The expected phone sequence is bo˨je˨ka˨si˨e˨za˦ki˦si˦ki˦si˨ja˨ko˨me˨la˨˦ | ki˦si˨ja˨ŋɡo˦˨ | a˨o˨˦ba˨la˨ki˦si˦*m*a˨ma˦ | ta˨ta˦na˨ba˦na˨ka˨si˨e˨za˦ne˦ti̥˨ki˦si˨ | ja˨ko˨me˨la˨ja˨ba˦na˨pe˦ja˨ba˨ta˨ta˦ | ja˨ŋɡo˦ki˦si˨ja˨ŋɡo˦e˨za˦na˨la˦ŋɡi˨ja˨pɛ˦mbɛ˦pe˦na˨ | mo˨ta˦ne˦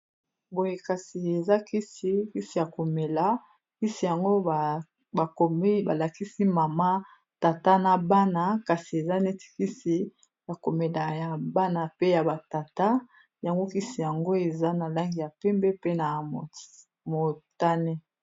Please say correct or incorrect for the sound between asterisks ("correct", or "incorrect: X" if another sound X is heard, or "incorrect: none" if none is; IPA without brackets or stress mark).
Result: correct